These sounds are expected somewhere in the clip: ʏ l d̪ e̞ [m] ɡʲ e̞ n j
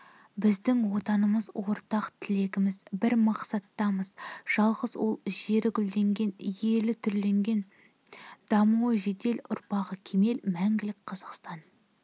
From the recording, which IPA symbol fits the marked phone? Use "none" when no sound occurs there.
ŋ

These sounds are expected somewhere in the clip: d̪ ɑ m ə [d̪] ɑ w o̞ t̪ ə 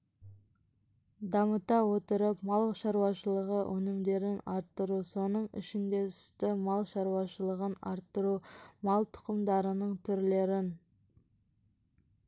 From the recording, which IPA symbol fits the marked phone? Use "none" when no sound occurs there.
t̪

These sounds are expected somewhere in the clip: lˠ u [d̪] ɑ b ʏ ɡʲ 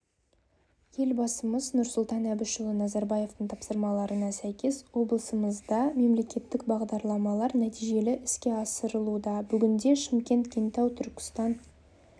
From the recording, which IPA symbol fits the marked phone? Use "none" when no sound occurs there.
d̪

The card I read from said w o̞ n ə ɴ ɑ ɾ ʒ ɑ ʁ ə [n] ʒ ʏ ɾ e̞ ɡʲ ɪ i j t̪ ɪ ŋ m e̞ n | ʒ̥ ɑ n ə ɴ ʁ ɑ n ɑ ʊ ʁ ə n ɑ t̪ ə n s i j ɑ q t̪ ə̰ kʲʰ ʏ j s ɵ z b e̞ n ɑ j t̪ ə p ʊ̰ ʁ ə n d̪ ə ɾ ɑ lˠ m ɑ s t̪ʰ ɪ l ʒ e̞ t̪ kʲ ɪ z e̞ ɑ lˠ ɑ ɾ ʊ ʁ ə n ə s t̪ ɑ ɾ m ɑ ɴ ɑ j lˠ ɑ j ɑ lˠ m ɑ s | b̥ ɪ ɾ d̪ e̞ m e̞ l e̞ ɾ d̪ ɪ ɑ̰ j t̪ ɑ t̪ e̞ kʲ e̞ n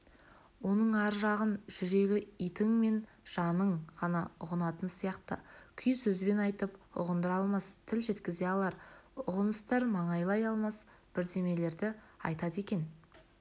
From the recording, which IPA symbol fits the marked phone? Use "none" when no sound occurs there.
n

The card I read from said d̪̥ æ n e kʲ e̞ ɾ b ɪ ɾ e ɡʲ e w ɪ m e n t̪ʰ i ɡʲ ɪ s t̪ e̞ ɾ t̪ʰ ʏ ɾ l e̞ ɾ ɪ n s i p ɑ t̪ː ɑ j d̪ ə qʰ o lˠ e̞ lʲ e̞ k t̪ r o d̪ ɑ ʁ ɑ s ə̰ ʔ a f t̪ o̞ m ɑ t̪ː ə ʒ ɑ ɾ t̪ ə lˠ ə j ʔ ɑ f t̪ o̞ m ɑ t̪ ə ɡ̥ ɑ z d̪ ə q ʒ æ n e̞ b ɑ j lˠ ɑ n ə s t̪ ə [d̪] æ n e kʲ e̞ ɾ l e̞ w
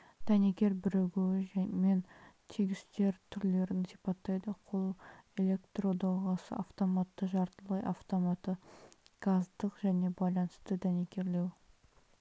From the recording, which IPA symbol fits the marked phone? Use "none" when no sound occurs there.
d̪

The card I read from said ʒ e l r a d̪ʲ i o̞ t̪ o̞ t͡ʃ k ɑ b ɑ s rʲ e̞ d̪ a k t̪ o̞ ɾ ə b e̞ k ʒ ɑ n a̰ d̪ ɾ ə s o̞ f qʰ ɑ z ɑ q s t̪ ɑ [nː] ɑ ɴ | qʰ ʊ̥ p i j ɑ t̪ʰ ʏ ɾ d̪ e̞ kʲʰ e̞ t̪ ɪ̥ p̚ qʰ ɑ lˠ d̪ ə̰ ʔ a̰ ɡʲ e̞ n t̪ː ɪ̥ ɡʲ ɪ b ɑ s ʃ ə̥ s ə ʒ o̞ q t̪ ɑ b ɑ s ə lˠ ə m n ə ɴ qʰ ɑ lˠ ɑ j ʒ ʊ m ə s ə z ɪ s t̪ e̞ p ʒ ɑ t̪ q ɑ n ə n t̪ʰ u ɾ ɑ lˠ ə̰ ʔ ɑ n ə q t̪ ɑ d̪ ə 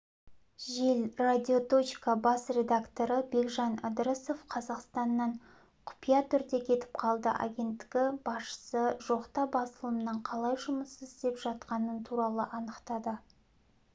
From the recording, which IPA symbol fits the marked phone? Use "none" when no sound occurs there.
nː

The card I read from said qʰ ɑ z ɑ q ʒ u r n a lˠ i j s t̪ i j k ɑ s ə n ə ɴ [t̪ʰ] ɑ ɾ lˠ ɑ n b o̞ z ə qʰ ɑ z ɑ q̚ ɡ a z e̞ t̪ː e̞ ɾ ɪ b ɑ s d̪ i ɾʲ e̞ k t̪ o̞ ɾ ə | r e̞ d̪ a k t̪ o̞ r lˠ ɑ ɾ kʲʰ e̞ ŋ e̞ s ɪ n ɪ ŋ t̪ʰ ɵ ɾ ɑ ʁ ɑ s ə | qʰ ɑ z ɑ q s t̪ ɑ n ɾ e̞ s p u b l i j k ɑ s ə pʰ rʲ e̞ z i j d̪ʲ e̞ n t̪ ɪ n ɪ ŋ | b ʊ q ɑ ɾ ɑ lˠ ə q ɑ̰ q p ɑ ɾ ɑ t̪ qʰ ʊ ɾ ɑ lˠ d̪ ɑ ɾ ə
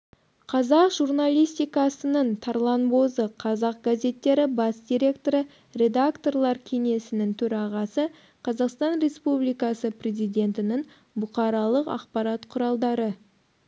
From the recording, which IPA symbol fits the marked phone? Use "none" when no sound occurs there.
t̪ʰ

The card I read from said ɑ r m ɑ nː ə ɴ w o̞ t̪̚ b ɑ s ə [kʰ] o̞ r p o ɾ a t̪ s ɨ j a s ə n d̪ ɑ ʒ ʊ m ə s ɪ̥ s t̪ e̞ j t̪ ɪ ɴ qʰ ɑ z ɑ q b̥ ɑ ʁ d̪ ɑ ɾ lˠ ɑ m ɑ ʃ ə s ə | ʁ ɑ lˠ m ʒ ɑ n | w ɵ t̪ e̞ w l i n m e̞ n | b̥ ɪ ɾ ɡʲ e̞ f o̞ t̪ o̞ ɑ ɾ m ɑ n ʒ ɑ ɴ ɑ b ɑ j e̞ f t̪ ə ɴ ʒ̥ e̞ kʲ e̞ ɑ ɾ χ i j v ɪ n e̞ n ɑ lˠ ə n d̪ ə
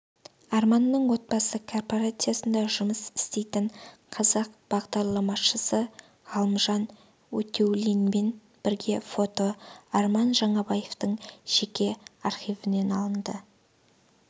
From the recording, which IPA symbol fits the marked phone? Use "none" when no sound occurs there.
kʰ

